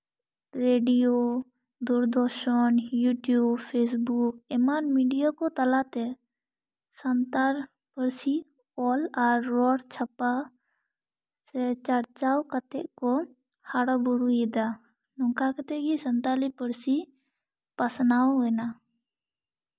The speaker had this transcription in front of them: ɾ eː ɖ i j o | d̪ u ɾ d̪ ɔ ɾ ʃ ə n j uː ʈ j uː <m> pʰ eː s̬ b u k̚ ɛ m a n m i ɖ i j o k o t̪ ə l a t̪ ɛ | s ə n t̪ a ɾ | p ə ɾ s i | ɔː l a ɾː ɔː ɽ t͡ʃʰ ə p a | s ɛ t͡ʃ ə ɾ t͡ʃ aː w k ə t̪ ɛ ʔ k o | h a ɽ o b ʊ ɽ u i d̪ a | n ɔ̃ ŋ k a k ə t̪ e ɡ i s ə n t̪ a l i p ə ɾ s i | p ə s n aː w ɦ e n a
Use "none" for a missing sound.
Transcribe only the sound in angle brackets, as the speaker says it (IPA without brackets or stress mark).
b